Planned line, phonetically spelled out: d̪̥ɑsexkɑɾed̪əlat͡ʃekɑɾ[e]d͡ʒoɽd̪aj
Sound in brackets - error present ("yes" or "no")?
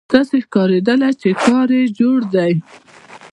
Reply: no